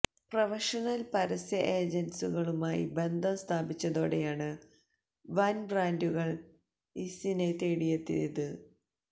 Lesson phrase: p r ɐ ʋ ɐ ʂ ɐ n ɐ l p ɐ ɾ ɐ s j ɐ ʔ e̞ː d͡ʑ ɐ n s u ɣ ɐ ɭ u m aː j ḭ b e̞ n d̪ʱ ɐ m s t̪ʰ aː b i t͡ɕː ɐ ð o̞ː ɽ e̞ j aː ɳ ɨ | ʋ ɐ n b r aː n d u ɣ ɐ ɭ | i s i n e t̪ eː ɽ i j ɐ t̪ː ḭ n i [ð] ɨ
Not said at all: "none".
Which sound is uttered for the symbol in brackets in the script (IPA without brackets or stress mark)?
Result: ð